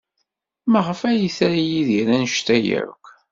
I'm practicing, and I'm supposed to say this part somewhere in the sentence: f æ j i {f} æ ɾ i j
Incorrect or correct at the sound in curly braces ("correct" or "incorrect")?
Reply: incorrect